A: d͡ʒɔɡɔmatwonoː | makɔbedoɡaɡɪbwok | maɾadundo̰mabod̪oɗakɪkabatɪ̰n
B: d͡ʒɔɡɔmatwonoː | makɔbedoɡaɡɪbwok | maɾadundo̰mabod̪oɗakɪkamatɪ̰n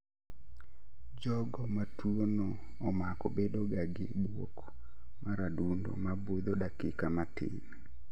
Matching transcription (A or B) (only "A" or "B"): B